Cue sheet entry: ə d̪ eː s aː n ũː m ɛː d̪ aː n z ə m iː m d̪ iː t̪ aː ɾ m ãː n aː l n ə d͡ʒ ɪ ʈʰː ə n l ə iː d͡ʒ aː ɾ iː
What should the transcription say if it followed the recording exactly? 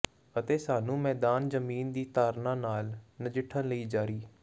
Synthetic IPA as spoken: ə t̪ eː s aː n ũː m ɛː d̪ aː n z ə m iː n d̪ iː t̪ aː ɾ n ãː n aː l n ə d͡ʒ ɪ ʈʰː ə n l ə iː d͡ʒ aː ɾ iː